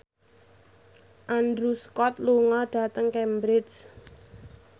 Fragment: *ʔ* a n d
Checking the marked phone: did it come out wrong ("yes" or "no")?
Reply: no